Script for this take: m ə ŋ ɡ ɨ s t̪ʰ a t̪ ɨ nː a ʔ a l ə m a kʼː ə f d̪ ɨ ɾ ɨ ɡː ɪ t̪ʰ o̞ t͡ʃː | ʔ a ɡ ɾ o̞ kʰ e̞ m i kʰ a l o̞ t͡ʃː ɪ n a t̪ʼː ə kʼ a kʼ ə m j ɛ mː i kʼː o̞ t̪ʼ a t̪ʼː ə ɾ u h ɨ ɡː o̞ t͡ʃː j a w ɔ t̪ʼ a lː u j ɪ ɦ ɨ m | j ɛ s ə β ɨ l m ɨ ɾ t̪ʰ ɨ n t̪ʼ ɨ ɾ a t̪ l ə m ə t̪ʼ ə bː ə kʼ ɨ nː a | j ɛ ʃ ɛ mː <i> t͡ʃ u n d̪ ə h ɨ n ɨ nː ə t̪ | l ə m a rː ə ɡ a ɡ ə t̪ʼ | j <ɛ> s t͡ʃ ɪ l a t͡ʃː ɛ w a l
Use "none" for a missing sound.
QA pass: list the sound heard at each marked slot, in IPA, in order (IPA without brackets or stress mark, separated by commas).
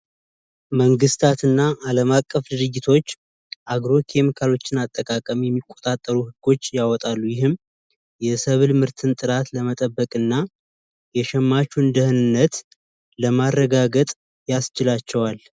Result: a, a